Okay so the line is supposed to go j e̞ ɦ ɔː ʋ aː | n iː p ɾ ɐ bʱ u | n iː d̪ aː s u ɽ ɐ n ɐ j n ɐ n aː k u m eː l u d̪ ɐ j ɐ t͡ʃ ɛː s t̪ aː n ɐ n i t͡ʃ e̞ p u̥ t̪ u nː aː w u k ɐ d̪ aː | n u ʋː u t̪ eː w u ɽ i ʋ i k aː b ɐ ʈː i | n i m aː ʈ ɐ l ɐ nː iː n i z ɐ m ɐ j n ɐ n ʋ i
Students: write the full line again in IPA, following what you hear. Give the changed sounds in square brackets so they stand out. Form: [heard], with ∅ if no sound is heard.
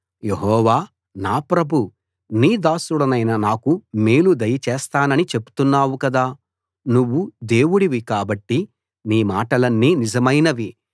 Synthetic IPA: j e̞ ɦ ɔː ʋ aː | n [aː] p ɾ ɐ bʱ u | n iː d̪ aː s u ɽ ɐ n ɐ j n ɐ n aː k u m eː l u d̪ ɐ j ɐ t͡ʃ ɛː s t̪ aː n ɐ n i t͡ʃ e̞ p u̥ t̪ u nː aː w u k ɐ d̪ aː | n u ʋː u [d̪] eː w u ɽ i ʋ i k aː b ɐ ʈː i | n [iː] m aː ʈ ɐ l ɐ nː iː n i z ɐ m ɐ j n ɐ [∅] ʋ i

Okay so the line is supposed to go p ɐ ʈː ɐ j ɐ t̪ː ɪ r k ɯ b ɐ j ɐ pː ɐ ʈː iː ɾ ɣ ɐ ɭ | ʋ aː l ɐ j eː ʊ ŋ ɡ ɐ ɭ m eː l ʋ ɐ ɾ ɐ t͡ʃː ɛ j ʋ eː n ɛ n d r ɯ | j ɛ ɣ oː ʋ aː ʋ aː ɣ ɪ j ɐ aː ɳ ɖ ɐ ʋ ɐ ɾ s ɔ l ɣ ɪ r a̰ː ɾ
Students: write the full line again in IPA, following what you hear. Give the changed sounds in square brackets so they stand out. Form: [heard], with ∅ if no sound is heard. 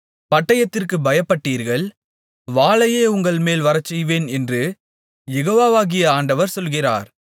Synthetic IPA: p ɐ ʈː ɐ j ɐ t̪ː ɪ r k ɯ b ɐ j ɐ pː ɐ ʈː iː ɾ ɣ ɐ ɭ | ʋ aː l ɐ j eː ʊ ŋ ɡ ɐ ɭ m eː l ʋ ɐ ɾ ɐ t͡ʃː ɛ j ʋ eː n ɛ n d r ɯ | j ɛ ɣ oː ʋ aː ʋ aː ɣ ɪ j ɐ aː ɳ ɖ ɐ ʋ ɐ ɾ s ɔ l ɣ ɪ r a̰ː ɾ

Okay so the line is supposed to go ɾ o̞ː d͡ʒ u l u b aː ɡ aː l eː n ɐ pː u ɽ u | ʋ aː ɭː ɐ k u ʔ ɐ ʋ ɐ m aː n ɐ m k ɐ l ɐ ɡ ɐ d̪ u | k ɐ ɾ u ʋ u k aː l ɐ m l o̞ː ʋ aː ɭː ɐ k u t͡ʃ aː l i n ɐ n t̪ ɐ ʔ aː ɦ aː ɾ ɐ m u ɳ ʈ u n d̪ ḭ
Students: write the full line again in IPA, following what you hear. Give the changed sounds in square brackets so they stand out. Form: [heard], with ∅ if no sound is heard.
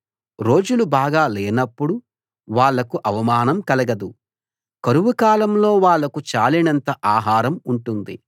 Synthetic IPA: ɾ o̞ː d͡ʒ u l u b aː ɡ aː l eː n ɐ pː u ɽ u | ʋ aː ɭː ɐ k u ʔ ɐ ʋ ɐ m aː n ɐ m k ɐ l ɐ ɡ ɐ d̪ u | k ɐ ɾ u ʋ u k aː l ɐ m l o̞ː ʋ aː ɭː ɐ k u t͡ʃ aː l i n ɐ n t̪ ɐ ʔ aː ɦ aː ɾ ɐ m u ɳ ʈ u n d̪ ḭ

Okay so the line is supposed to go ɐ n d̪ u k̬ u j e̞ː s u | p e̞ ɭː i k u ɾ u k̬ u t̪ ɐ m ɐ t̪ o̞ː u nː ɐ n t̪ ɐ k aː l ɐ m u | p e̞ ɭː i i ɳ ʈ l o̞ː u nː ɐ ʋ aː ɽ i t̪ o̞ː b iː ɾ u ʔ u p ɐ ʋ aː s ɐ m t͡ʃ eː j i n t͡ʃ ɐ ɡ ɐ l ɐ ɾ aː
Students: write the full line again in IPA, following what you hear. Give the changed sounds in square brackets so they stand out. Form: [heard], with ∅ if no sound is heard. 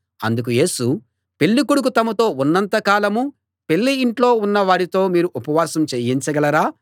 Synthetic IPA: ɐ n d̪ u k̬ u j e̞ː s u | p e̞ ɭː i k u [ɽ] u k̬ u t̪ ɐ m ɐ t̪ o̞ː u nː ɐ n t̪ ɐ k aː l ɐ m u | p e̞ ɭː i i ɳ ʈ l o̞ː u nː ɐ ʋ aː ɽ i t̪ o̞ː [m] iː ɾ u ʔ u p ɐ ʋ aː s ɐ m t͡ʃ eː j i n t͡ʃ ɐ ɡ ɐ l ɐ ɾ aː

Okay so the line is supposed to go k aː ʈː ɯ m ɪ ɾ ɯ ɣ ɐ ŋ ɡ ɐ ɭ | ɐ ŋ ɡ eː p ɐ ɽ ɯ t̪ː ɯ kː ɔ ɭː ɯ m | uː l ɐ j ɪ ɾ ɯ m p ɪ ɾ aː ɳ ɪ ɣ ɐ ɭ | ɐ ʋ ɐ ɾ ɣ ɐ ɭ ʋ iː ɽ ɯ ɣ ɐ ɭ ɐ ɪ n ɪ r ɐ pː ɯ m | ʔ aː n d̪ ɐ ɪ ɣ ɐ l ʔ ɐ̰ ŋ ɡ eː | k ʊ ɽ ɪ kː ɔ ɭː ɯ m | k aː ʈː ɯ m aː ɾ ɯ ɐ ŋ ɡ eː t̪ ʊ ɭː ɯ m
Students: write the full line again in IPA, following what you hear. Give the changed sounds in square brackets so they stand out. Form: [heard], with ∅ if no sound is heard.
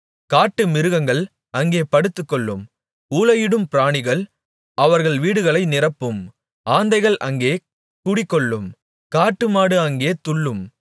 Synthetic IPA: k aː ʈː ɯ m ɪ ɾ ɯ ɣ ɐ ŋ ɡ ɐ ɭ | ɐ ŋ ɡ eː p ɐ ɽ ɯ t̪ː ɯ kː ɔ ɭː ɯ m | uː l ɐ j ɪ [ɽ] ɯ m p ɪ ɾ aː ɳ ɪ ɣ ɐ ɭ | ɐ ʋ ɐ ɾ ɣ ɐ ɭ ʋ iː ɽ ɯ ɣ ɐ ɭ ɐ ɪ n ɪ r ɐ pː ɯ m | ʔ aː n d̪ ɐ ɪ ɣ ɐ [ɭ] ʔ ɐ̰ ŋ ɡ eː | k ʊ ɽ ɪ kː ɔ ɭː ɯ m | k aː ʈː ɯ m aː [ɽ] ɯ ɐ ŋ ɡ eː t̪ ʊ ɭː ɯ m

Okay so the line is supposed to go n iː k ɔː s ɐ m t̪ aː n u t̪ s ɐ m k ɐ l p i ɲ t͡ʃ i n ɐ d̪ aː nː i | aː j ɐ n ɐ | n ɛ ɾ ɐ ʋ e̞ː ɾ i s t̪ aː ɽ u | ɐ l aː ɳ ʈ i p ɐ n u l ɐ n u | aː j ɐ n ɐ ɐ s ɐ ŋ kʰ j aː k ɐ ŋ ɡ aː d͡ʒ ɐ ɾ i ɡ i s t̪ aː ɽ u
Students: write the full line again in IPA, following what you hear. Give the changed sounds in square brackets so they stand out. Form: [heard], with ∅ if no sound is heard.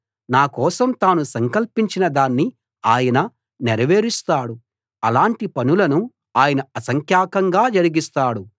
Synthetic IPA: n [aː] k ɔː s ɐ m t̪ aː n u [∅] s ɐ [ŋ] k ɐ l p i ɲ t͡ʃ i n ɐ d̪ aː nː i | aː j ɐ n ɐ | n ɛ ɾ ɐ ʋ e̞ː ɾ i s t̪ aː ɽ u | ɐ l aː ɳ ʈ i p ɐ n u l ɐ n u | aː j ɐ n ɐ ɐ s ɐ ŋ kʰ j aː k ɐ ŋ ɡ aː d͡ʒ ɐ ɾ i ɡ i s t̪ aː ɽ u

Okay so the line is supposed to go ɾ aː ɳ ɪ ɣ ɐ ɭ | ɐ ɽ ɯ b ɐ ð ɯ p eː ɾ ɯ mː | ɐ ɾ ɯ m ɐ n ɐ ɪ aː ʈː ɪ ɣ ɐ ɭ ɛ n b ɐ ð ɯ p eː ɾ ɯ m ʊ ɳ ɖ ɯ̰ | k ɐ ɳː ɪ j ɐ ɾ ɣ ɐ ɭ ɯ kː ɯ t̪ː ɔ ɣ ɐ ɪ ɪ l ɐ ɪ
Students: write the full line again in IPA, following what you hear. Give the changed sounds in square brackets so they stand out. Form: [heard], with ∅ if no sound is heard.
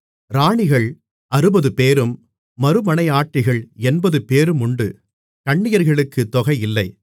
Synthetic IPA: ɾ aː ɳ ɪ ɣ ɐ ɭ | ɐ [ɾ] ɯ b ɐ ð ɯ p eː ɾ ɯ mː | ɐ ɾ ɯ m ɐ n ɐ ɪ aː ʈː ɪ ɣ ɐ ɭ ɛ n b ɐ ð ɯ p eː ɾ ɯ m ʊ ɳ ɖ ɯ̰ | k ɐ ɳː ɪ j ɐ ɾ ɣ ɐ ɭ ɯ kː ɯ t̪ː ɔ ɣ ɐ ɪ ɪ [lː] ɐ ɪ

